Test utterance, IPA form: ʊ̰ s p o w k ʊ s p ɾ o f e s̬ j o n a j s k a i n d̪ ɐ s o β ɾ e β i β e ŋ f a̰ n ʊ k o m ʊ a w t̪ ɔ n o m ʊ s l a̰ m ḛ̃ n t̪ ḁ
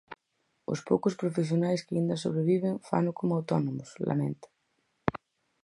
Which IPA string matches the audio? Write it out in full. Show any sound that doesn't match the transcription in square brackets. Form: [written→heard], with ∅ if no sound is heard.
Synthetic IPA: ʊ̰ s p o w k ʊ s p ɾ o f e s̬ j o n a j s k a i n d̪ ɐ s o β ɾ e β i β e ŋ f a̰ n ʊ k o m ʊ a w t̪ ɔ n o m ʊ s l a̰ m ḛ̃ n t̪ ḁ